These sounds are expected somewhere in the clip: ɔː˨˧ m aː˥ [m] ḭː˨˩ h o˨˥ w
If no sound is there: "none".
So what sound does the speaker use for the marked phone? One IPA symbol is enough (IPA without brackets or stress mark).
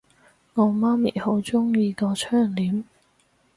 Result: m